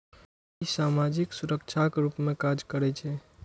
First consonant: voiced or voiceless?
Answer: voiceless